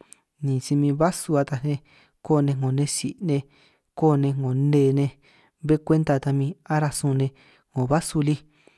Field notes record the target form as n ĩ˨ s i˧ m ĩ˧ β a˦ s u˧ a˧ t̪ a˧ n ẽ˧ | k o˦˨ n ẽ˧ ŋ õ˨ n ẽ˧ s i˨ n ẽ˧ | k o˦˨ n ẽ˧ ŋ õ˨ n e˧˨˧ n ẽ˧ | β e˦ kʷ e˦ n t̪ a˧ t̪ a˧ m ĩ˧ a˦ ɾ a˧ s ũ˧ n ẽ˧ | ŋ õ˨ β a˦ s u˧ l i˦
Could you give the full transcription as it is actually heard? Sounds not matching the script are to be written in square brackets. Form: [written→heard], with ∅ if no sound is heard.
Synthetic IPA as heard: n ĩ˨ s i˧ m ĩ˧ β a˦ s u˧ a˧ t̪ a˧ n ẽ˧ | k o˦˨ n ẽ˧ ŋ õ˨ n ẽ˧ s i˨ n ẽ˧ | k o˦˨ n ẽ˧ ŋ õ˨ n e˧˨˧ n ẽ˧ | β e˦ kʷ e˦ n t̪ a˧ t̪ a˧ m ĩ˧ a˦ ɾ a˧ s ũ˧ n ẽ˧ | ŋ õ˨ β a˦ s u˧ l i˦

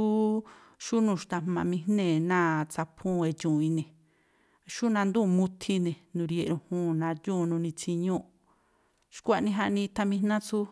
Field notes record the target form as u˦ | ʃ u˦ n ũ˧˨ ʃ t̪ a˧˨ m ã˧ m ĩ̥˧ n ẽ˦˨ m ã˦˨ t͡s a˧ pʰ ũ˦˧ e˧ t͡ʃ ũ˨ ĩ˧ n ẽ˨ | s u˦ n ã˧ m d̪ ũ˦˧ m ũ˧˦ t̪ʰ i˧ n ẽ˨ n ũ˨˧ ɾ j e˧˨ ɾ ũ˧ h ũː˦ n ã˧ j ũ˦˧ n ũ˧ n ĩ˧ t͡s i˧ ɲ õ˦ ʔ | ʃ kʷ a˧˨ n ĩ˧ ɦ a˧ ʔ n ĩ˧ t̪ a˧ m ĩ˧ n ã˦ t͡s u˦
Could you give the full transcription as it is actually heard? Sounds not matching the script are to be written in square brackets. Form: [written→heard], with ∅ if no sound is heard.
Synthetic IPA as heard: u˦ | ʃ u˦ n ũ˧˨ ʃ t̪ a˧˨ m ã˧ m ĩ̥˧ n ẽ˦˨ [m→n] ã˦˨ t͡s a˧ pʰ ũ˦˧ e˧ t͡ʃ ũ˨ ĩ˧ n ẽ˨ | [s→ʃ] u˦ n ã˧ [m→n] d̪ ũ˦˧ m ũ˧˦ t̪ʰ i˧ n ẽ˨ n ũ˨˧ ɾ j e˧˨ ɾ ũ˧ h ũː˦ n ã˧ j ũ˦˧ n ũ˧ n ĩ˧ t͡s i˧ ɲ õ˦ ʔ | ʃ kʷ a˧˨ n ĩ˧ ɦ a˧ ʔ n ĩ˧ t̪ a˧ m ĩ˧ n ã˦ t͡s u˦

